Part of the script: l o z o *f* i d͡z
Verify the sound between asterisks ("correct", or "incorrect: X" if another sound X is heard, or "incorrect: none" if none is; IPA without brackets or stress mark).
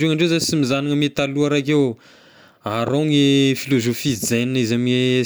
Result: correct